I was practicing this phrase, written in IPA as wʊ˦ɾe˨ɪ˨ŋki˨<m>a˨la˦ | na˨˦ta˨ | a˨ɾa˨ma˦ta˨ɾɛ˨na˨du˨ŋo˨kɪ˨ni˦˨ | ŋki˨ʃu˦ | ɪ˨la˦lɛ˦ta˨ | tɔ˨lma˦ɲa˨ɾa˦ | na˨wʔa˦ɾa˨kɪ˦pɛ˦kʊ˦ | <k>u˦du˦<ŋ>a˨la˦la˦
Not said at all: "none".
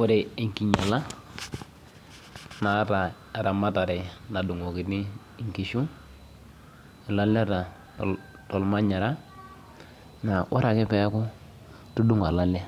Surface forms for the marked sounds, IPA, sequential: ɲ, t, ŋ

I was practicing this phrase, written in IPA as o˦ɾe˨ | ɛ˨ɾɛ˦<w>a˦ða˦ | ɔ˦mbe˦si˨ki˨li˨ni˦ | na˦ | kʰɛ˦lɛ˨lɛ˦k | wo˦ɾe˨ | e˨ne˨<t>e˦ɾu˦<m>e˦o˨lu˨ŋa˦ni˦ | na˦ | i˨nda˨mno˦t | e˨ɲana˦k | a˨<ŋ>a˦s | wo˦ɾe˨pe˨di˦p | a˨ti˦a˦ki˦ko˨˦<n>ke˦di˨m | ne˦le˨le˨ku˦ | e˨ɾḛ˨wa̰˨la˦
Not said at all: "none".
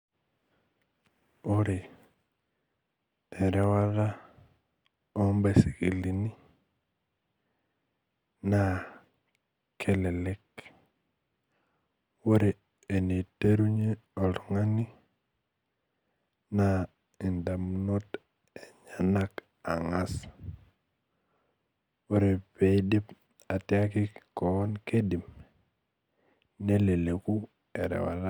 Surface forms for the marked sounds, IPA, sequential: w, t, ɲ, ŋ, n

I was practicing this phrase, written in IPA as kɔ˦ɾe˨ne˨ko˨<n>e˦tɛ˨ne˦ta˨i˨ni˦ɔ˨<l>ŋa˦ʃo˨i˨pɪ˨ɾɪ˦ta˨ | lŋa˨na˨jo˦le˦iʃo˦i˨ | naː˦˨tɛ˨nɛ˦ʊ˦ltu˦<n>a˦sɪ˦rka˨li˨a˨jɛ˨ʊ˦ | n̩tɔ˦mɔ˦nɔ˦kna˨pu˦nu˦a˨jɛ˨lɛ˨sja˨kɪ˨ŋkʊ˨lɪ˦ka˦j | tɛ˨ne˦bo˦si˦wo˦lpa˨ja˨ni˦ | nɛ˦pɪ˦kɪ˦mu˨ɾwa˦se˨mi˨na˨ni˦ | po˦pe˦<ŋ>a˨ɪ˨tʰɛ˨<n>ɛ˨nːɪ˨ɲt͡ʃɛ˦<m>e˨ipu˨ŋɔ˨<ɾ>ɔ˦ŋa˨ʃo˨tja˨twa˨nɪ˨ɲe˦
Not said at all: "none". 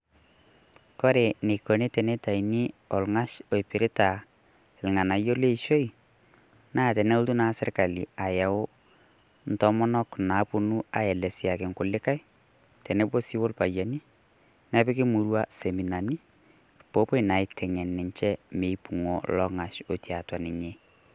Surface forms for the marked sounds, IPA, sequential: n, l, n, n, ŋ, m, l

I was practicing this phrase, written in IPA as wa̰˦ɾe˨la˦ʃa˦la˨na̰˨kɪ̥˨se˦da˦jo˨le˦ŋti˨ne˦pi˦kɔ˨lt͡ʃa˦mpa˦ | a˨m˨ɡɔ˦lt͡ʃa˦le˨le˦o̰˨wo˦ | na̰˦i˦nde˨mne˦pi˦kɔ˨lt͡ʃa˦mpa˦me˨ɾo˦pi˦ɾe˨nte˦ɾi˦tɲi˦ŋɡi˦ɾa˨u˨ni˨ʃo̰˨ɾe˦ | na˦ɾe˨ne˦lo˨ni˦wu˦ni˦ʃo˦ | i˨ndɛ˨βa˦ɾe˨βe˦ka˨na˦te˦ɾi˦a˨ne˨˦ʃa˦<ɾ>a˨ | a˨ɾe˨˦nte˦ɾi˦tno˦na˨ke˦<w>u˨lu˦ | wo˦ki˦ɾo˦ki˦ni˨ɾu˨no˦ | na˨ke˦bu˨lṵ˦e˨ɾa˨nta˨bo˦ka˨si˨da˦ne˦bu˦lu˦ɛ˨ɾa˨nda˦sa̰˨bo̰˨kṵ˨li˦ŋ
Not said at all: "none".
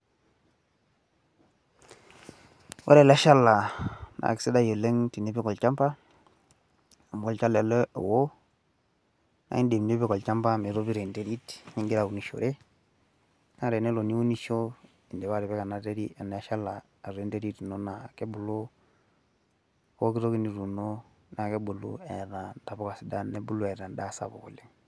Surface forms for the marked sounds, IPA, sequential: l, b

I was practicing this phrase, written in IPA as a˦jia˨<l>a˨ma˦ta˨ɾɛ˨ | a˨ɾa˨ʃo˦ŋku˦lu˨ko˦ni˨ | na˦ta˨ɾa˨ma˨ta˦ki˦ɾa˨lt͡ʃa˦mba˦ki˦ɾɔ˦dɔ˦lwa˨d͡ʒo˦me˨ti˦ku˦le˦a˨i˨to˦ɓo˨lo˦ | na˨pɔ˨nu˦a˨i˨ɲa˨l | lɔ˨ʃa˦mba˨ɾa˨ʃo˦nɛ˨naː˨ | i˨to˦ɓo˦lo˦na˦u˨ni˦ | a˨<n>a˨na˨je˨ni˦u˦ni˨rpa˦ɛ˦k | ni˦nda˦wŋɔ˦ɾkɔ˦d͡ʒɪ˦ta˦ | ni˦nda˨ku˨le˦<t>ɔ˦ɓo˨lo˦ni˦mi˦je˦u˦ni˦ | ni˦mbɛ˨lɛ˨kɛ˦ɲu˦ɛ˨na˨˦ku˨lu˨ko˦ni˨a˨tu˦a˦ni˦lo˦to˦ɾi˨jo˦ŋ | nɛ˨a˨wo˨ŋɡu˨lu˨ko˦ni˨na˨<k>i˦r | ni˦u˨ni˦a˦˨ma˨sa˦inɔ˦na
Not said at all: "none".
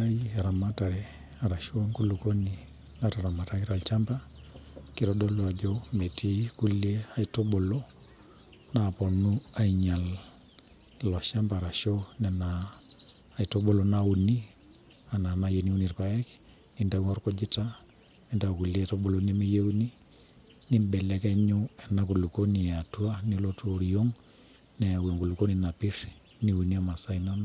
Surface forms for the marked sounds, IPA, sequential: ɾ, n, t, p

